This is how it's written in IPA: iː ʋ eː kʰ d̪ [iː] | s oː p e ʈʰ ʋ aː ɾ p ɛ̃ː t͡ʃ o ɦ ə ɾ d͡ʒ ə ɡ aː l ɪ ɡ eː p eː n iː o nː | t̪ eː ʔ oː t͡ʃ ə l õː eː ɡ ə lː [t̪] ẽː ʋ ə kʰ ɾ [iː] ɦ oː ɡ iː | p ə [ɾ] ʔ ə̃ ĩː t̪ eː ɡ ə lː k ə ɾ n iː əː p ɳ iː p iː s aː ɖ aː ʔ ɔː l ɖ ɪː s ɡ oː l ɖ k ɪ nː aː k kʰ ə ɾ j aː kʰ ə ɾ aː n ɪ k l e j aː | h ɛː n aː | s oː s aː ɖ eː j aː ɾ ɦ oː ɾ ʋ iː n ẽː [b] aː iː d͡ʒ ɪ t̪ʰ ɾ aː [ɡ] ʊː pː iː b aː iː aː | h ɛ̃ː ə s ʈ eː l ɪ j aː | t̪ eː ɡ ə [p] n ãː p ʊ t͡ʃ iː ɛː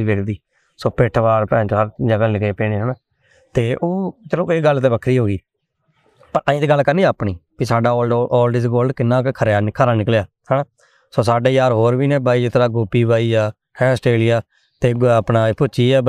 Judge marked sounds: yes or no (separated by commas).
yes, yes, yes, yes, yes, yes, yes